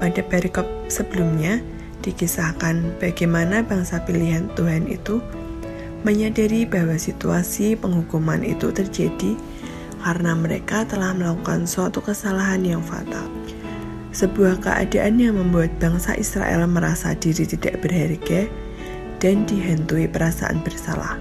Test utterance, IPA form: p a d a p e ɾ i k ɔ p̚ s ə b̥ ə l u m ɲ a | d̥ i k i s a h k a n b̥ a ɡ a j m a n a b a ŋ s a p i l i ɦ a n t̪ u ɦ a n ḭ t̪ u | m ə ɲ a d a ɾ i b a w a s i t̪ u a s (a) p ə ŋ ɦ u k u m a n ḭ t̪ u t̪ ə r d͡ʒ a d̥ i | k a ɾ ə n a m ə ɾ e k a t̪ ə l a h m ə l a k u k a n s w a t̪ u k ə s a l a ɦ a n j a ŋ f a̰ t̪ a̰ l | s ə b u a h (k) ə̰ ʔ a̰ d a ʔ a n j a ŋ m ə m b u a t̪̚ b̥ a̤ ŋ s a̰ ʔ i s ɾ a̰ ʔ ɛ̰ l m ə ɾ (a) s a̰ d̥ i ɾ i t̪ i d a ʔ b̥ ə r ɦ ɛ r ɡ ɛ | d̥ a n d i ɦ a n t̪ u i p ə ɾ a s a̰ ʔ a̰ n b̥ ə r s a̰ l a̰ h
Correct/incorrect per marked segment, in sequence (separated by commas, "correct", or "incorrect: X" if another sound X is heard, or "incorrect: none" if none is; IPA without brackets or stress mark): incorrect: i, correct, correct